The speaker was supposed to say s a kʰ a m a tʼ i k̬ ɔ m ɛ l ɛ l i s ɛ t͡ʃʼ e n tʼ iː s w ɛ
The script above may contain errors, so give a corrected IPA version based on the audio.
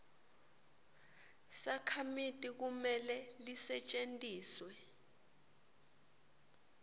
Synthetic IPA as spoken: s a kʰ a m i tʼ i k̬ u m ɛ l ɛ l i s ɛ t͡ʃʼ e n tʼ iː s w ɛ